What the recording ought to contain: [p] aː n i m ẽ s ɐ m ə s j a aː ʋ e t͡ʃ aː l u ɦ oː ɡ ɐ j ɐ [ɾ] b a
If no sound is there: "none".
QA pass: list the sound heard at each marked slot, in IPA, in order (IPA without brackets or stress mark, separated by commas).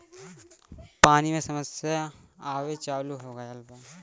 p, l